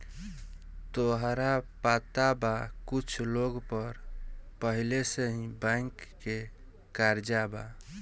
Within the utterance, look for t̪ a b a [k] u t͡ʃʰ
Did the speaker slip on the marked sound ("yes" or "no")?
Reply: no